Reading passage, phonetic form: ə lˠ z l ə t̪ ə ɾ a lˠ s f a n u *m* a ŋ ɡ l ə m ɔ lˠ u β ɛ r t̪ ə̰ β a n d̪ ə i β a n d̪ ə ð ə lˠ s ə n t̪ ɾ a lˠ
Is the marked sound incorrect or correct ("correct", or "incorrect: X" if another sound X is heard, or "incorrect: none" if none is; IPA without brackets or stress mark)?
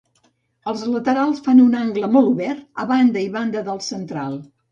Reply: incorrect: n